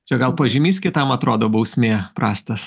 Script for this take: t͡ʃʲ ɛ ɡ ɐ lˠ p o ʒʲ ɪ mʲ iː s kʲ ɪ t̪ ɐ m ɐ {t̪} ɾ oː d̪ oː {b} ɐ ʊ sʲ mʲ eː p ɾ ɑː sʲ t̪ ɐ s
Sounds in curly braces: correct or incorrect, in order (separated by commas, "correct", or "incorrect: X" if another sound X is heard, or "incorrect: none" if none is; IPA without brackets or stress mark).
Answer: correct, correct